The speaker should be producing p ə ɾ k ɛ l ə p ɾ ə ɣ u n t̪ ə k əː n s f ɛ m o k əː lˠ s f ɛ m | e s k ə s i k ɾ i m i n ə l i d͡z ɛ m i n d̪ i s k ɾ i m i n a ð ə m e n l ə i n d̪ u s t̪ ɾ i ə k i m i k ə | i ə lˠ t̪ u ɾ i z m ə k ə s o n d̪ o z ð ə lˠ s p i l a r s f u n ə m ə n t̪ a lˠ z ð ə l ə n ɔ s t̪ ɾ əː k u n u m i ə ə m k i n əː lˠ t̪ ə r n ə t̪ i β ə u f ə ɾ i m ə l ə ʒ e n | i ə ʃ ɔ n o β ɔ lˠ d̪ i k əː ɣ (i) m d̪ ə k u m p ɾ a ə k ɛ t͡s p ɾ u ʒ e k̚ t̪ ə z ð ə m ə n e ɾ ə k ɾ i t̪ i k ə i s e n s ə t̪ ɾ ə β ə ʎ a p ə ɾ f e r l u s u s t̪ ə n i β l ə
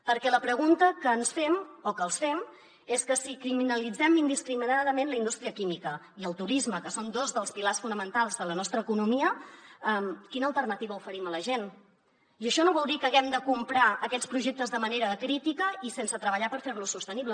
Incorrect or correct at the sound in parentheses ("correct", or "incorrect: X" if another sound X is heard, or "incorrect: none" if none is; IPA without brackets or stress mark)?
incorrect: ɛ